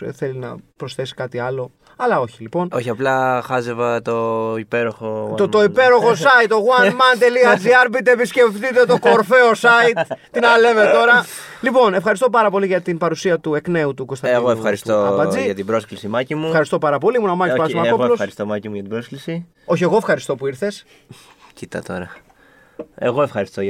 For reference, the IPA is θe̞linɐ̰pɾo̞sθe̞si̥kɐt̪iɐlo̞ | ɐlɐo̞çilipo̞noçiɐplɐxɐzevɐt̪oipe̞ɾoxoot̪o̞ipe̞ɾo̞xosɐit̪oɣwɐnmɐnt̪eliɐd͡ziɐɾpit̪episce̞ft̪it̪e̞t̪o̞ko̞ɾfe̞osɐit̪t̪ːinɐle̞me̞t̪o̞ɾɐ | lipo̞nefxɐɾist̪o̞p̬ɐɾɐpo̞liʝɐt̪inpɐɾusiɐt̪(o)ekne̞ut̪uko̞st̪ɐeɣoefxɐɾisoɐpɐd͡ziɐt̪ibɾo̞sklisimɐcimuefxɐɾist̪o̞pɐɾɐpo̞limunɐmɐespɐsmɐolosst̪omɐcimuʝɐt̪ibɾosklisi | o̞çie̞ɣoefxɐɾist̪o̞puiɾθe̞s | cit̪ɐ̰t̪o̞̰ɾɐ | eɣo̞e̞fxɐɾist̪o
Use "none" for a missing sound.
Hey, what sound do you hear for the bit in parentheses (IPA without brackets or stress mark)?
u